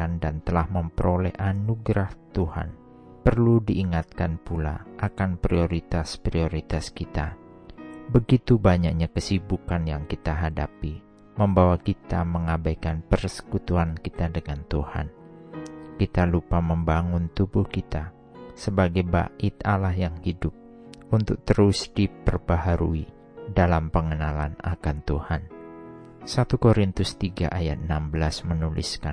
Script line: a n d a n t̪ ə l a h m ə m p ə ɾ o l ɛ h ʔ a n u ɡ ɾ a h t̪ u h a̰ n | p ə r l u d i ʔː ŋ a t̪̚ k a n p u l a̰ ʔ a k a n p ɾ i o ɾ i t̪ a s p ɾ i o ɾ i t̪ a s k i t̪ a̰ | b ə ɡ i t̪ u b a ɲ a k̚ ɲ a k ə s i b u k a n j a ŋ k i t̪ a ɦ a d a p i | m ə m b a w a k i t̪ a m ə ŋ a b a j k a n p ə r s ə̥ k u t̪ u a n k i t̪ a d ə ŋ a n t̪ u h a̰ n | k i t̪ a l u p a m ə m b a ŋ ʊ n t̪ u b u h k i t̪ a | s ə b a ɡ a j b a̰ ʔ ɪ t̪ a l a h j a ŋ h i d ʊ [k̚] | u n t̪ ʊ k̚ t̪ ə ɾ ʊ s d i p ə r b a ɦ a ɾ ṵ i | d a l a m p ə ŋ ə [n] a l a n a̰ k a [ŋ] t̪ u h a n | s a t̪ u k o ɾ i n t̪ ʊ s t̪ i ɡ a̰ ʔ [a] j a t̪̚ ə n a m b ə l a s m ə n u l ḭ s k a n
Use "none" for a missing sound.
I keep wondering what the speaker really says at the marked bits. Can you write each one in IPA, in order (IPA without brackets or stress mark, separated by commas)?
p̚, n, n, a